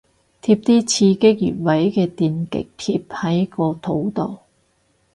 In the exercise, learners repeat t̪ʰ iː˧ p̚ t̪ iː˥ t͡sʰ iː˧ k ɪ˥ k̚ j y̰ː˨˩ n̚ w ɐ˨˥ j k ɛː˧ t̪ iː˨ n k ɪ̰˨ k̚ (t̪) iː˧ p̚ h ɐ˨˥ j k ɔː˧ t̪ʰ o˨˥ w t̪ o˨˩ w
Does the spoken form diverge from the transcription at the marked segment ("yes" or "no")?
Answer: yes